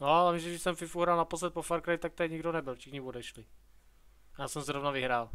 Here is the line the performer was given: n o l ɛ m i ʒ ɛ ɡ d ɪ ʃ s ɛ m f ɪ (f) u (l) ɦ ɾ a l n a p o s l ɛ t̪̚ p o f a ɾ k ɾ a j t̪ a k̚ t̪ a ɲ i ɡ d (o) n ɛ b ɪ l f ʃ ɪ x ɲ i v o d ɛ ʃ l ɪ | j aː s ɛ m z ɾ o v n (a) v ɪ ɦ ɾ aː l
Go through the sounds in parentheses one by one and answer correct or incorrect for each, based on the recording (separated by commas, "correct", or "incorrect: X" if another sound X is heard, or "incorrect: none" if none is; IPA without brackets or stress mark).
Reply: correct, incorrect: none, correct, correct